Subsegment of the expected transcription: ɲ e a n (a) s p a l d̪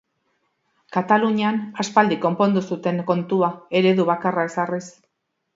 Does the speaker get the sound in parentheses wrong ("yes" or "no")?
no